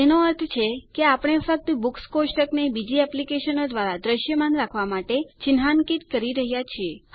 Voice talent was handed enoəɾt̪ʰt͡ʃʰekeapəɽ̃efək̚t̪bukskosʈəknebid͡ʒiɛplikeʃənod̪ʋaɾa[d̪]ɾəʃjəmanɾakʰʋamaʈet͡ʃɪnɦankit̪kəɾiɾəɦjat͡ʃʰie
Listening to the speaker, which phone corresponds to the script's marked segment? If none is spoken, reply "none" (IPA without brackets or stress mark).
d̪